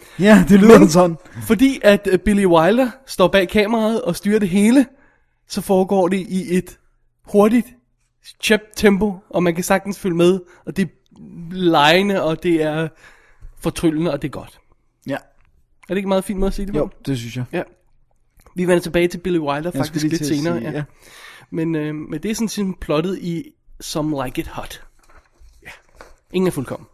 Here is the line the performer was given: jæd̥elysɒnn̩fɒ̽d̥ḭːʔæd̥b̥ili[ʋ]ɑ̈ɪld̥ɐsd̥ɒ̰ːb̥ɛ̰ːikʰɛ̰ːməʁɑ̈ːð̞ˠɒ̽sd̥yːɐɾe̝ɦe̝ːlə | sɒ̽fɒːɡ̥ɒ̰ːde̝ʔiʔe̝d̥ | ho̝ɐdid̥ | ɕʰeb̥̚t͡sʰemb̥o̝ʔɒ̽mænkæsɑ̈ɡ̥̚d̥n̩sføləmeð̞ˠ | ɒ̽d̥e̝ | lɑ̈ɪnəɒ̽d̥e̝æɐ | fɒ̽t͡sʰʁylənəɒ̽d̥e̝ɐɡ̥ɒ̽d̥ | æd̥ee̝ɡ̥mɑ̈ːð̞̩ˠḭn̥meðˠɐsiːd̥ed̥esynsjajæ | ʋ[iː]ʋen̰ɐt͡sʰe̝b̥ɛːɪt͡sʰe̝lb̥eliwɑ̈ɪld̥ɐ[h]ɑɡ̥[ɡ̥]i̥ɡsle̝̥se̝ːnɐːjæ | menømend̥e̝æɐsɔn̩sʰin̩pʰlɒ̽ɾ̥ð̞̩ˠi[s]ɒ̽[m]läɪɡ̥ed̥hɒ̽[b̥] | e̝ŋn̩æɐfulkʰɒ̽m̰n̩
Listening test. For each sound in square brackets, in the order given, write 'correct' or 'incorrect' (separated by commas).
incorrect, incorrect, incorrect, incorrect, correct, correct, incorrect